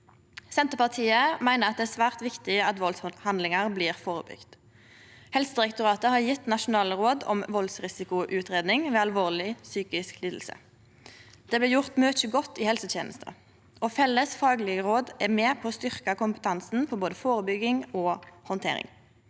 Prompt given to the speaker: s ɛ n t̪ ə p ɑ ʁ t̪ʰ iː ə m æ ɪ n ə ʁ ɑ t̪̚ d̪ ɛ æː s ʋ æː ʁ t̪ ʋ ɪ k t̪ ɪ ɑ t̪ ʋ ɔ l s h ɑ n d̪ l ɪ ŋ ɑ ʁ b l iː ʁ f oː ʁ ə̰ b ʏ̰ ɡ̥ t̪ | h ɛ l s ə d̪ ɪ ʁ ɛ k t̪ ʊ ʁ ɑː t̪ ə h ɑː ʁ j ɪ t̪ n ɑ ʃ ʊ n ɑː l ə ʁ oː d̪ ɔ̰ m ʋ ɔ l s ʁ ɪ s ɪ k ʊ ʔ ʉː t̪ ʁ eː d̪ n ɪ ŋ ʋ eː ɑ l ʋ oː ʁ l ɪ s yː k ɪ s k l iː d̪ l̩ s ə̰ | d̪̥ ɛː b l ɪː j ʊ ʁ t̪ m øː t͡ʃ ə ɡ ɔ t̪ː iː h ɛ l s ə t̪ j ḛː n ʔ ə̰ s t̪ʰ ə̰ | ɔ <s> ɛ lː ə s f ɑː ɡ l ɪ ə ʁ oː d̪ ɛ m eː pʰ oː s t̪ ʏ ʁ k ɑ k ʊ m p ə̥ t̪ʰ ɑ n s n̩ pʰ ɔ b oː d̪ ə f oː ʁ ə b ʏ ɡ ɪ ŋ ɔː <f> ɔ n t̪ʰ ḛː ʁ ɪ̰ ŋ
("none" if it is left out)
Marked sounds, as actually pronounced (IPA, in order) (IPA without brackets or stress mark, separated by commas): f, h